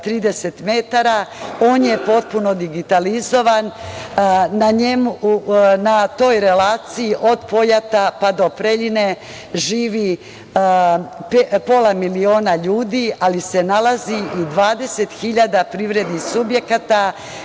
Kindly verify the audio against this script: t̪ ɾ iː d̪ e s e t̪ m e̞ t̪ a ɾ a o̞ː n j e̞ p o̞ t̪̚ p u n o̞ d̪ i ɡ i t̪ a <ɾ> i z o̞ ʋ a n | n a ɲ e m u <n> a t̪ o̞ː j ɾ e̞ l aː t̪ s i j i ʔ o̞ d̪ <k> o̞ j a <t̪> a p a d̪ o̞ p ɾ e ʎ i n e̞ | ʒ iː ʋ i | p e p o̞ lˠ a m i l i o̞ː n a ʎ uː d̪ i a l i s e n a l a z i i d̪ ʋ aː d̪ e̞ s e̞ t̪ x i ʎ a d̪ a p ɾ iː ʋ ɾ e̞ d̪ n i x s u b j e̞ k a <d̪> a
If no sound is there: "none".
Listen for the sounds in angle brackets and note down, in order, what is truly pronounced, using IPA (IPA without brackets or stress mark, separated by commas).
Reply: l, n, p, t̪, t̪